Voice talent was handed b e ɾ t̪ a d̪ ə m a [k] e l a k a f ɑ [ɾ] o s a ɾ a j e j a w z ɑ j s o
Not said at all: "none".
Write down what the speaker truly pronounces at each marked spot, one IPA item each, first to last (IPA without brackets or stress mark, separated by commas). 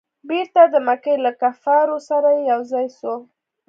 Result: k, ɾ